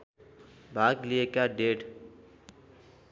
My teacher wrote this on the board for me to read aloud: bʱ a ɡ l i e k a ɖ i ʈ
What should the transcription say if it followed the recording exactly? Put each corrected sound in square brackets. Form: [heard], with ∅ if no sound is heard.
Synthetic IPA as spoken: bʱ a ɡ l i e k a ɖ [e] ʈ